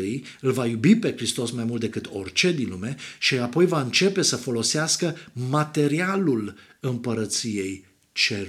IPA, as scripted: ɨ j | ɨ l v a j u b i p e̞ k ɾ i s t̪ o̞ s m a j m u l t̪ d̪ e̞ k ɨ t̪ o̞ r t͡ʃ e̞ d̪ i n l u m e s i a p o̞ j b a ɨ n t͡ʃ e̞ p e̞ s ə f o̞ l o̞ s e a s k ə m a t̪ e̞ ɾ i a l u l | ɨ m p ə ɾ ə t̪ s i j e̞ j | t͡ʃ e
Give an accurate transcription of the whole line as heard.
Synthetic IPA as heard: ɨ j | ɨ l v a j u b i p e̞ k ɾ i s t̪ o̞ s m a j m u l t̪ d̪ e̞ k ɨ t̪ o̞ r t͡ʃ e̞ d̪ i n l u m e ʃ i a p o̞ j v a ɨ n t͡ʃ e̞ p e̞ s ə f o̞ l o̞ s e a s k ə m a t̪ e̞ ɾ i a l u l | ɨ m p ə ɾ ə t̪ s i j e̞ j | t͡ʃ e